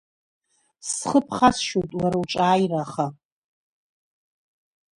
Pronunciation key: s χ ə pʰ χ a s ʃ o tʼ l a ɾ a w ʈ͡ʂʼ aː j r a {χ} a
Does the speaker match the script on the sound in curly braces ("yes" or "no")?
yes